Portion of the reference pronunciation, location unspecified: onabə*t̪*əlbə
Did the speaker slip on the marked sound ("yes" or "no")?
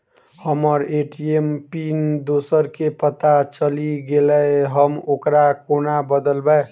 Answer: yes